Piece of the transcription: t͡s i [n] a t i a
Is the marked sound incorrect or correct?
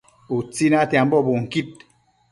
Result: correct